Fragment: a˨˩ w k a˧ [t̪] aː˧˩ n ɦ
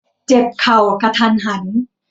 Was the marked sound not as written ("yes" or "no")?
yes